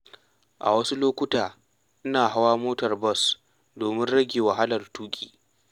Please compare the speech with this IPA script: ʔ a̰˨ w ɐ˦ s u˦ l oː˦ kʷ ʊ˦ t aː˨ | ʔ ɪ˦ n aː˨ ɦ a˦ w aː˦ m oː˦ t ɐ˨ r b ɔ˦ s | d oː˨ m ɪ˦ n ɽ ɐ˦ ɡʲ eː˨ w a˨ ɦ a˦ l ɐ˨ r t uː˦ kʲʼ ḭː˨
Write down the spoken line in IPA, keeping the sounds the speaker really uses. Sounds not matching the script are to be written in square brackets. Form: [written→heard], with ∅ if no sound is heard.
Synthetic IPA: ʔ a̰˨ w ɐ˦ s u˦ l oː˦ kʷ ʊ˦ t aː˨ | ʔ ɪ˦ n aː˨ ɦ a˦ w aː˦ m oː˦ t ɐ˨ r b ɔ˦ s | d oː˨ m ɪ˦ n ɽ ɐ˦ ɡʲ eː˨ w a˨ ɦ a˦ l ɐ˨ r t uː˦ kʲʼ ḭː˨